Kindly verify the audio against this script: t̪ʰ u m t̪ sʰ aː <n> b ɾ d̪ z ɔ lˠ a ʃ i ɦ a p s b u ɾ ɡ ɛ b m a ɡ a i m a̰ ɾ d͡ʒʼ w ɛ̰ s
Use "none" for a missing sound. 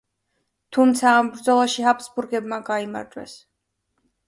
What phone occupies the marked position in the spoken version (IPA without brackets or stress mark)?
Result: m